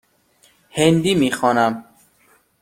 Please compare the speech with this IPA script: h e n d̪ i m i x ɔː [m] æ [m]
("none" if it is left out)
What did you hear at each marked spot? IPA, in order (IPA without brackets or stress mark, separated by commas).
n, m